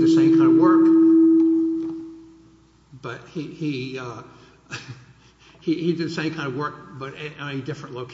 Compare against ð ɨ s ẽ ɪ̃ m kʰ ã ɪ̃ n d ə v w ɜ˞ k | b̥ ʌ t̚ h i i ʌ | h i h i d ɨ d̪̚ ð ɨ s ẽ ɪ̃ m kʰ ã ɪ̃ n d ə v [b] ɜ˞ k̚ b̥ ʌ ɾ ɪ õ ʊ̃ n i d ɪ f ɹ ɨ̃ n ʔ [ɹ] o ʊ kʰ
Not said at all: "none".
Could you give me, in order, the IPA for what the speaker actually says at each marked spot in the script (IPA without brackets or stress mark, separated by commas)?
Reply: w, l